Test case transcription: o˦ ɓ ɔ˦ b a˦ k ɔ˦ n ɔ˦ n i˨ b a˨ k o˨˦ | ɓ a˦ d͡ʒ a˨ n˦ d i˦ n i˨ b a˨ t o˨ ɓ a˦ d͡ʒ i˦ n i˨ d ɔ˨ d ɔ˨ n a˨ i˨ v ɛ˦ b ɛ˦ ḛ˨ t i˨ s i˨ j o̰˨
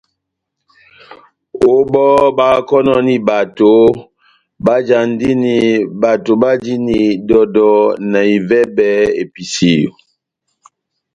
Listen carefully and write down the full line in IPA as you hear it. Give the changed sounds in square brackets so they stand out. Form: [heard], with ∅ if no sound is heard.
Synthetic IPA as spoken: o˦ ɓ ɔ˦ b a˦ k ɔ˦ n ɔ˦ n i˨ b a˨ [t] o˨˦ | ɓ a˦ d͡ʒ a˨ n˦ d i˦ n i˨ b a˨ t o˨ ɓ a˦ d͡ʒ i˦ n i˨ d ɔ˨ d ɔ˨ n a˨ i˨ v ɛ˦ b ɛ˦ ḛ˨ [p] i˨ s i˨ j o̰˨

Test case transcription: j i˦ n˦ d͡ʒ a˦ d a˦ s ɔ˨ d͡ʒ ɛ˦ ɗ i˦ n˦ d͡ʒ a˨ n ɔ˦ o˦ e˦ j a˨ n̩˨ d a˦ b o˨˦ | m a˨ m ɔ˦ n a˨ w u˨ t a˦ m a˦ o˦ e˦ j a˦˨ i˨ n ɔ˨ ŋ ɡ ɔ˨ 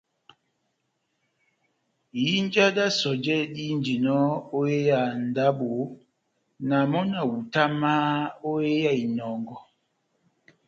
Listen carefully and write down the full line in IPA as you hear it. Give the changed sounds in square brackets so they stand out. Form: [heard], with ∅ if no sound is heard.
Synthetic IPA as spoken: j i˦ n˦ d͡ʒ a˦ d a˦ s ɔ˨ d͡ʒ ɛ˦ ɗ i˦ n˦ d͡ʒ [i˨] n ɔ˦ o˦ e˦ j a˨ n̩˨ d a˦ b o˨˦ | [n] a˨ m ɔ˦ n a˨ w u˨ t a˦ m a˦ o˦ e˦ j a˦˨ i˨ n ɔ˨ ŋ ɡ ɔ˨

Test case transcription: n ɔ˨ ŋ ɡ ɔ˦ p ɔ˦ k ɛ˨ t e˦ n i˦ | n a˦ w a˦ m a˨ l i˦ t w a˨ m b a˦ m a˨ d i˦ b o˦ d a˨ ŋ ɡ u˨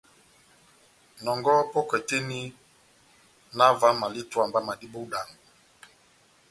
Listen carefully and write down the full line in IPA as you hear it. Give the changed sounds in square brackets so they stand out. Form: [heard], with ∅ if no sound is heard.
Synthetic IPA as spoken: n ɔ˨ ŋ ɡ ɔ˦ p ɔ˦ k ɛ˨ t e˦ n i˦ | n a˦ [v] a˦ m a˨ l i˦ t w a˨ m b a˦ m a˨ d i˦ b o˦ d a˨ ŋ ɡ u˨

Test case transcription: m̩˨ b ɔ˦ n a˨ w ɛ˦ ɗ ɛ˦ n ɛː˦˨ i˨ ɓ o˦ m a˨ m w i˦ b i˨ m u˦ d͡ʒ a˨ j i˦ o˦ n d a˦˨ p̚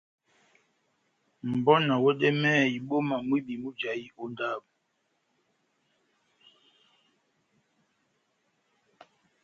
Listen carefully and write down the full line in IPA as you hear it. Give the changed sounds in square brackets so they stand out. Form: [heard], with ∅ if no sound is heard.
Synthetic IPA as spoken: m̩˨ b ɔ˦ n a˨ w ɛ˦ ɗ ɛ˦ [m] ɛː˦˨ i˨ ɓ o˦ m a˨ m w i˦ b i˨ m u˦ d͡ʒ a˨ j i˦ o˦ n d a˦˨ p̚

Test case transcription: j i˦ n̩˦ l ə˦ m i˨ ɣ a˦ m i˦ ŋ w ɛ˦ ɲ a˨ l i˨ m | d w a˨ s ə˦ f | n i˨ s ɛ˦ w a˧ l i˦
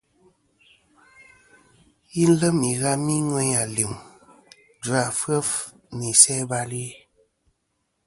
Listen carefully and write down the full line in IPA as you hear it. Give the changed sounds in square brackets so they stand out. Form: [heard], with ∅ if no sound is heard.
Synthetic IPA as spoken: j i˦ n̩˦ l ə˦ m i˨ ɣ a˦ m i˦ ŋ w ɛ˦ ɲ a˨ l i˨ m | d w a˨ [f] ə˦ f | n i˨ s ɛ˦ [b] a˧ l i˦

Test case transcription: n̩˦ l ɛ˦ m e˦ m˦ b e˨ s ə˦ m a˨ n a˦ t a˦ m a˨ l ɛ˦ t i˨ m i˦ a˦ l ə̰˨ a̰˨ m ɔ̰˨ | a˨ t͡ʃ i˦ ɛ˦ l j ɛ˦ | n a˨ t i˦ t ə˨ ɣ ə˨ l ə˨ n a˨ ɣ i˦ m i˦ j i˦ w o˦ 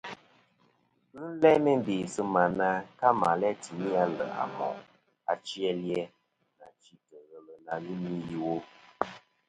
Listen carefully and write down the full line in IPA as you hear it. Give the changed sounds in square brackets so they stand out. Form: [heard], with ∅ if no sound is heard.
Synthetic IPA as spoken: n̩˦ l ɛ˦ m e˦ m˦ b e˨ s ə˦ m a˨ n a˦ [k] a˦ m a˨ l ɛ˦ t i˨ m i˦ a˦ l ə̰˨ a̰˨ m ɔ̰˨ | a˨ t͡ʃ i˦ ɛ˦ l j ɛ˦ | n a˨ [t͡ʃ] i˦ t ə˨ ɣ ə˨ l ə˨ n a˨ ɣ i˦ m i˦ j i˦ w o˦

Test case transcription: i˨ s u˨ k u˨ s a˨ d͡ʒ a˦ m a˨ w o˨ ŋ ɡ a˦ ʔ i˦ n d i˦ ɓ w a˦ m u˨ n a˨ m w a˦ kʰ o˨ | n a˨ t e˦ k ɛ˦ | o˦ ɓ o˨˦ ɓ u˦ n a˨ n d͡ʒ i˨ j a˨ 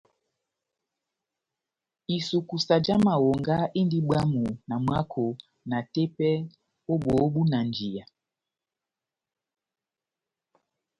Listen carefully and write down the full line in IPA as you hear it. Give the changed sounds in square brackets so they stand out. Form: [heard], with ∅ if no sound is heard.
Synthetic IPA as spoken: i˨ s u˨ k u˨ s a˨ d͡ʒ a˦ m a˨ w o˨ ŋ ɡ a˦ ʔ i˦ n d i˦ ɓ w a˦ m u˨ n a˨ m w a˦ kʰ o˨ | n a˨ t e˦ [p] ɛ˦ | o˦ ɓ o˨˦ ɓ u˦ n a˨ n d͡ʒ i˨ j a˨

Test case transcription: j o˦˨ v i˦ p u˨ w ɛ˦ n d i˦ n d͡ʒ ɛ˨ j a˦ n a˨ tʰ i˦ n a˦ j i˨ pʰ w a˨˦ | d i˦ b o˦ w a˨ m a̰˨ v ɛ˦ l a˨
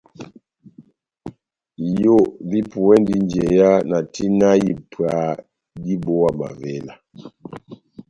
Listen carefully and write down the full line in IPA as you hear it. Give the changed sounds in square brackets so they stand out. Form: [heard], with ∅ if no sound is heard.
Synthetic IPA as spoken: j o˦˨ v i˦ p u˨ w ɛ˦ n d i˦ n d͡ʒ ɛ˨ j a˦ n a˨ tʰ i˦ n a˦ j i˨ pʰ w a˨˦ | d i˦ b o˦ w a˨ m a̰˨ v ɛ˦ l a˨

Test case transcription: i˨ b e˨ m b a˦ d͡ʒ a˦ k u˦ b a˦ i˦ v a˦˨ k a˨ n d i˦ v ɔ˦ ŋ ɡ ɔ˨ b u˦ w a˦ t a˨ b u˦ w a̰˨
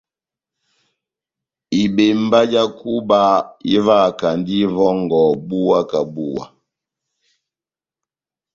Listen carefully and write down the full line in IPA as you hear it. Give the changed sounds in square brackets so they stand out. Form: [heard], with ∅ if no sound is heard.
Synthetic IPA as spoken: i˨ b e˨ m b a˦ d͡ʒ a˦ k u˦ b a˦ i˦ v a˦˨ k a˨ n d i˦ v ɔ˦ ŋ ɡ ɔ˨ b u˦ w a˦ [k] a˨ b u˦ w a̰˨

